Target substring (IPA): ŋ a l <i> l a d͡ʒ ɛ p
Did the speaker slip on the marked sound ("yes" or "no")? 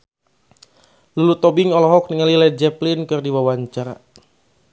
no